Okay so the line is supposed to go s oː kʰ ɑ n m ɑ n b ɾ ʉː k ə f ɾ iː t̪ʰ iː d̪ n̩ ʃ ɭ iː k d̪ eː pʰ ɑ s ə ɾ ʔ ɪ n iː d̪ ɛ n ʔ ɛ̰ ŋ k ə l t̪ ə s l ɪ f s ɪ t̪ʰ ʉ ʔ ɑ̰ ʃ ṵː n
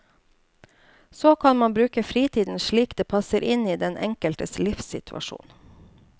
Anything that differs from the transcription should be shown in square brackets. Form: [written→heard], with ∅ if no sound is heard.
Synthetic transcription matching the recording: s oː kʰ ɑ n m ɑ n b ɾ ʉː k ə f ɾ iː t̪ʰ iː d̪ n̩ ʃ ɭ iː k d̪ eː pʰ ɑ s ə ɾ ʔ ɪ n iː d̪ ɛ n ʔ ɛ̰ ŋ k ə l t̪ ə s l ɪ f s ɪ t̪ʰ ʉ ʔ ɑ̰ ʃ ṵː n